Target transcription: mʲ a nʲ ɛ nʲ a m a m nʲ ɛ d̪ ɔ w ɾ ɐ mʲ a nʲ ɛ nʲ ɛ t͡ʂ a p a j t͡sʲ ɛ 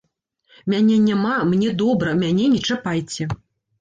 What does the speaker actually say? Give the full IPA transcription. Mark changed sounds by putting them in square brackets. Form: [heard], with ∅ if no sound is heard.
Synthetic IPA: mʲ a nʲ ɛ nʲ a m a m nʲ ɛ d̪ ɔ [b] ɾ ɐ mʲ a nʲ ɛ nʲ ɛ t͡ʂ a p a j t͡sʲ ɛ